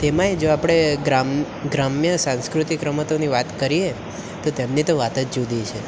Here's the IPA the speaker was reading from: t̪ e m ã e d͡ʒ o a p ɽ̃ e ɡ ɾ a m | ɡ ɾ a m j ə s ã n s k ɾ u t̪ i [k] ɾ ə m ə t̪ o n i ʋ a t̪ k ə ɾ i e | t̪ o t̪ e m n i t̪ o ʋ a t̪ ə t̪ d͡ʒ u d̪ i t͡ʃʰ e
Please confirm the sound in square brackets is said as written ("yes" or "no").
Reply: yes